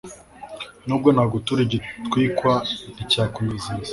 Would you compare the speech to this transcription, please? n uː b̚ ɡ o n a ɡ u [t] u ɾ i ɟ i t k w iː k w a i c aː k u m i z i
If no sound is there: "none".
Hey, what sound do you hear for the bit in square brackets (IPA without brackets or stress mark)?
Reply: t